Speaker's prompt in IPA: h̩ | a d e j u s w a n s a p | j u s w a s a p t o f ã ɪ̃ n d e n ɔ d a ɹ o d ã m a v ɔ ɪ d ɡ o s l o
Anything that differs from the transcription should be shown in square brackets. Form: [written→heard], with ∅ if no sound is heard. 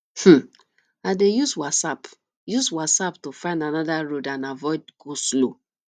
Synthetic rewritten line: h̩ | a d e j u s w a [n→∅] s a p | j u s w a s a p t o f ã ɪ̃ n d [e→a] n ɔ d a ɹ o d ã [m→n] a v ɔ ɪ d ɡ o s l o